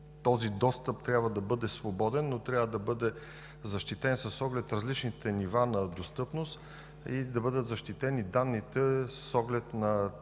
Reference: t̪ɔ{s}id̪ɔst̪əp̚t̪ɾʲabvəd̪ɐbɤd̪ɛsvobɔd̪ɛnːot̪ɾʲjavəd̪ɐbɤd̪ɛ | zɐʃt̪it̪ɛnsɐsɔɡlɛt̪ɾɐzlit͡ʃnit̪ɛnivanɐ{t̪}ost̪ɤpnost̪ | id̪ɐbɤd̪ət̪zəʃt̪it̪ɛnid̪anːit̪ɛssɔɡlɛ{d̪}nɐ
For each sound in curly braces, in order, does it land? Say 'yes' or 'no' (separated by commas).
no, no, no